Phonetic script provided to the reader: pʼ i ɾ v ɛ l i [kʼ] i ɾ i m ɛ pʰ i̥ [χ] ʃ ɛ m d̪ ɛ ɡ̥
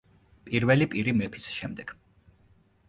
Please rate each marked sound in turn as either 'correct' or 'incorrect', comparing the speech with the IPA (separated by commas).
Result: incorrect, incorrect